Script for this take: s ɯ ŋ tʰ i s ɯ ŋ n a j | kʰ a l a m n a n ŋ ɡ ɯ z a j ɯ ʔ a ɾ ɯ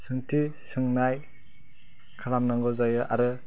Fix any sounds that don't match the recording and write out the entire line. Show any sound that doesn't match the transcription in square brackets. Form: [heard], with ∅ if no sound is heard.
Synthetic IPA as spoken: s ɯ ŋ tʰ i s ɯ ŋ n a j | kʰ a l a m n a [∅] ŋ ɡ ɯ z a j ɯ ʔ a ɾ ɯ